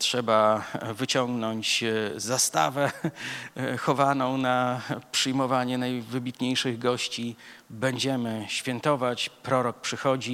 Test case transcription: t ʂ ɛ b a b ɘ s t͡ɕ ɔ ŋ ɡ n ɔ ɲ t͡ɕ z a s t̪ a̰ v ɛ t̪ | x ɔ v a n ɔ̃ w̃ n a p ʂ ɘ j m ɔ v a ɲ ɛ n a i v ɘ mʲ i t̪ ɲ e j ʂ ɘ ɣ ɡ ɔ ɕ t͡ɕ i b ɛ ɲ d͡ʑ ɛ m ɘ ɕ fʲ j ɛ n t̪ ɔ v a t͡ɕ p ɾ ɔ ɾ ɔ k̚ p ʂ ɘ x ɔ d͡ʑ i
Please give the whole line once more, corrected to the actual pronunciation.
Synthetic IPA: t ʂ ɛ b a v ɘ t͡ɕ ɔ ŋ ɡ n ɔ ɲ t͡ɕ z a s t̪ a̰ v ɛ | x ɔ v a n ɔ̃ w̃ n a p ʂ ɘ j m ɔ v a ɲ ɛ n a j v ɘ bʲ i t̪ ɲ e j ʂ ɘ ɣ ɡ ɔ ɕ t͡ɕ i b ɛ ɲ d͡ʑ ɛ m ɘ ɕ fʲ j ɛ n t̪ ɔ v a t͡ɕ p ɾ ɔ ɾ ɔ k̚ p ʂ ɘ x ɔ d͡ʑ i